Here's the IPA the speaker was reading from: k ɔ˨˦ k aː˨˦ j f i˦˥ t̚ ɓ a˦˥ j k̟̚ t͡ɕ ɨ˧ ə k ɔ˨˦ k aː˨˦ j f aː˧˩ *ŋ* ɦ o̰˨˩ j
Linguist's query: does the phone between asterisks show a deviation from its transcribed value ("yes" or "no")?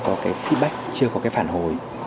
yes